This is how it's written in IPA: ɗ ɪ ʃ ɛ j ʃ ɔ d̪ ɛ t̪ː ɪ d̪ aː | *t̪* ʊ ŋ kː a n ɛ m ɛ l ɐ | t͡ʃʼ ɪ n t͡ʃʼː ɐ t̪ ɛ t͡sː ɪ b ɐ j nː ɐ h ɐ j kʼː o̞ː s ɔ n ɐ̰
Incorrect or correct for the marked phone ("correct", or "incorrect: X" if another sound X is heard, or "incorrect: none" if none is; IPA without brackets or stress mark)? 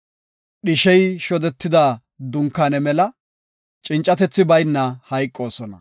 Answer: incorrect: d̪